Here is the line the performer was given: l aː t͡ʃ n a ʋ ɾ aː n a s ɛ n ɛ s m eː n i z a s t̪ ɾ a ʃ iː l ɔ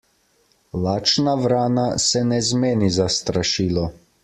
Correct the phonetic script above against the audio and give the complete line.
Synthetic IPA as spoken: l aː t͡ʃ n a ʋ ɾ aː n a s ɛ n ɛ z m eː n i z a s t̪ ɾ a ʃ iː l ɔ